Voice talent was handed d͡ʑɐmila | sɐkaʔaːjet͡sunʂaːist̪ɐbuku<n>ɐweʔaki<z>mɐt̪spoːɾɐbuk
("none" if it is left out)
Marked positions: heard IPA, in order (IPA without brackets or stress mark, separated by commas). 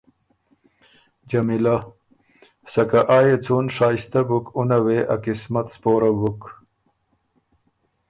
n, s